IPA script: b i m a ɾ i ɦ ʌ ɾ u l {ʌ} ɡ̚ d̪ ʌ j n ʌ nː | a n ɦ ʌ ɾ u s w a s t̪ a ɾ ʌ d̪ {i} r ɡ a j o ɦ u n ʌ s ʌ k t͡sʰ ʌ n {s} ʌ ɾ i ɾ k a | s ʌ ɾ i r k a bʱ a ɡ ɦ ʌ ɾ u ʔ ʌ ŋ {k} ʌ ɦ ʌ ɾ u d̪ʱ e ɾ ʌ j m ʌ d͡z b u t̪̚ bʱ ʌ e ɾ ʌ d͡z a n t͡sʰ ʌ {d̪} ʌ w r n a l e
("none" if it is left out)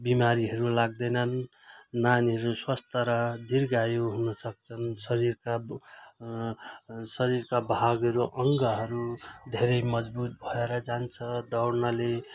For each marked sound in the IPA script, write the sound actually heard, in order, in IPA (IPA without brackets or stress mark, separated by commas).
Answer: a, i, s, ɡ, d̪